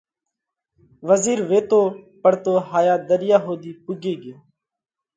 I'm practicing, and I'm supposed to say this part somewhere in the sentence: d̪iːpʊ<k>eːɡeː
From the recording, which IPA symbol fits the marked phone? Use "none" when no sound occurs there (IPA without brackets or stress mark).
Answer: ɡ